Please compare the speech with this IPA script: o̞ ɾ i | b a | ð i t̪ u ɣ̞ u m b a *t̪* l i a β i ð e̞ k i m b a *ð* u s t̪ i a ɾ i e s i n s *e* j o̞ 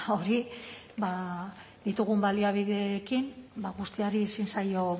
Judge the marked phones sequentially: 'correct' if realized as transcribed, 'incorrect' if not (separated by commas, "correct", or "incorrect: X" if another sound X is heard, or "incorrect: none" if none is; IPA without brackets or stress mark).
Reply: incorrect: none, incorrect: ɣ, incorrect: a